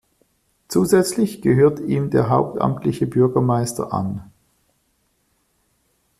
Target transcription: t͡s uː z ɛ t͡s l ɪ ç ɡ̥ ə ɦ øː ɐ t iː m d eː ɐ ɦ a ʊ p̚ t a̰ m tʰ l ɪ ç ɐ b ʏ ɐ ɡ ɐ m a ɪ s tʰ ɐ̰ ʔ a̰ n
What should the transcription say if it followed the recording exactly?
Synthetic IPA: t͡s uː z ɛ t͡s l ɪ ç ɡ̥ ə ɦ øː ɐ t iː m d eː ɐ ɦ a ʊ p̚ t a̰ m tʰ l ɪ ç ə b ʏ ɐ ɡ ɐ m a ɪ s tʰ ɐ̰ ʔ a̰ n